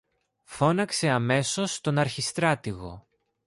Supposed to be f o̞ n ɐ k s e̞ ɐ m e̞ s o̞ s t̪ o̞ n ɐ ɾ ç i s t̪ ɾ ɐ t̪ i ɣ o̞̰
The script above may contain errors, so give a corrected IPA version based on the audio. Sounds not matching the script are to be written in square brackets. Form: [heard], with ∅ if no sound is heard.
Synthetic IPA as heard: f o̞ n ɐ k s e̞ ɐ m e̞ s o̞ s t̪ o̞ n ɐ ɾ ç i s t̪ ɾ ɐ t̪ i ɣ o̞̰